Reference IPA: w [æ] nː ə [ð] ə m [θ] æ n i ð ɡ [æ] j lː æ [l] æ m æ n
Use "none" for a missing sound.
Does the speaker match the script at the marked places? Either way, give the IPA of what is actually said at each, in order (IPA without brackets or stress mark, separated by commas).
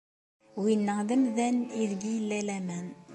i, ð, ð, i, l